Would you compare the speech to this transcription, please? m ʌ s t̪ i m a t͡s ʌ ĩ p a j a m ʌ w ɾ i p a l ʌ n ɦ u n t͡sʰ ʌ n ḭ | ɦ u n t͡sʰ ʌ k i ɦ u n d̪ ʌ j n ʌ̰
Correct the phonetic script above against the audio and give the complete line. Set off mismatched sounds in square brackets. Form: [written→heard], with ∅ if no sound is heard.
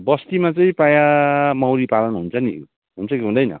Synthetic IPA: [m→b] ʌ s t̪ i m a t͡s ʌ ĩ p a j a m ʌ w ɾ i p a l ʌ n ɦ u n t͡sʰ ʌ n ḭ | ɦ u n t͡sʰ ʌ k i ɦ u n d̪ ʌ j n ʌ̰